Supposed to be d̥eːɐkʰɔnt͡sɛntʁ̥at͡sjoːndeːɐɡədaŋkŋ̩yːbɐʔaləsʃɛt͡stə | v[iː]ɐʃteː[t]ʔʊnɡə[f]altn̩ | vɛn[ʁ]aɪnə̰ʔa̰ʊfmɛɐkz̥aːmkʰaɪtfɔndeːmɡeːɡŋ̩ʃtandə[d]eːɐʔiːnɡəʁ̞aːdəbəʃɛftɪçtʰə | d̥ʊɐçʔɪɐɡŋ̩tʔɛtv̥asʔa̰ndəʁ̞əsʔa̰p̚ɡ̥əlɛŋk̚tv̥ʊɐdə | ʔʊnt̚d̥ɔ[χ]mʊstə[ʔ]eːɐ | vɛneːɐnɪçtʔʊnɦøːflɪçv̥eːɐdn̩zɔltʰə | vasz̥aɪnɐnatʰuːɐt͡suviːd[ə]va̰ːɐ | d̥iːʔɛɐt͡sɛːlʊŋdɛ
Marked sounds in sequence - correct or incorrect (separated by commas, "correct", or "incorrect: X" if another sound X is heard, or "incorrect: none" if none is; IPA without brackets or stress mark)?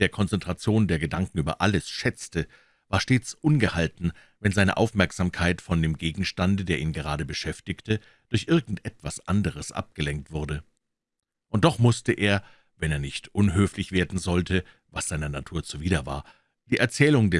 incorrect: aː, incorrect: t͡s, incorrect: h, incorrect: z, correct, correct, correct, incorrect: ɐ